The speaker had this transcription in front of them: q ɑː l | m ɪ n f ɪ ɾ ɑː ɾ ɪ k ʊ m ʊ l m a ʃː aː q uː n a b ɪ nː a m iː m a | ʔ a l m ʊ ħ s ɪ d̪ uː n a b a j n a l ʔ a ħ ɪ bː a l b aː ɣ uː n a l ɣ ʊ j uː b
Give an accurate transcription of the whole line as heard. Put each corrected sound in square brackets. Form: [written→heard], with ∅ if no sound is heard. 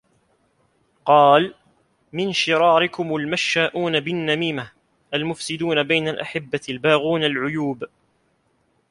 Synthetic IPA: q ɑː l | m ɪ n [f→ʃ] ɪ ɾ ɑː ɾ ɪ k ʊ m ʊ l m a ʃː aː [q→ʔ] uː n a b ɪ nː a m iː m a | ʔ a l m ʊ [ħ→f] s ɪ d̪ uː n a b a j n a l ʔ a ħ ɪ bː a l b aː ɣ uː n a l [ɣ→ʕ] ʊ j uː b